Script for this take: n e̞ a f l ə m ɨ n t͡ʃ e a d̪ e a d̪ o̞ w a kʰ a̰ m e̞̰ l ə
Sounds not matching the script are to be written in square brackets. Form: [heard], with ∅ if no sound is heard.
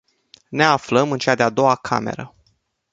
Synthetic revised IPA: n e̞ a f l ə m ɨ n t͡ʃ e a d̪ e a d̪ o̞ w a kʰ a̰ m e̞̰ [ɾ] ə